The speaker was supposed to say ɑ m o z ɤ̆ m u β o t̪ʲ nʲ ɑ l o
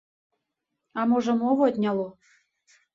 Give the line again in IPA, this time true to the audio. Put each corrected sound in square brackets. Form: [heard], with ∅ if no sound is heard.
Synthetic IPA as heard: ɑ m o [ʒ] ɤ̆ m [o] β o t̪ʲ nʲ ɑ l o